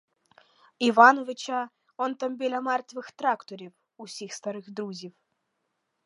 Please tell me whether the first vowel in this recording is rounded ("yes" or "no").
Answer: no